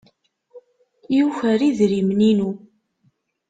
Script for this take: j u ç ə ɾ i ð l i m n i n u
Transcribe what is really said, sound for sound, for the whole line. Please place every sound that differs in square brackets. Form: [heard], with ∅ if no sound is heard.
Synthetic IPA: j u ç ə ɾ i ð [ɾ] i m n i n u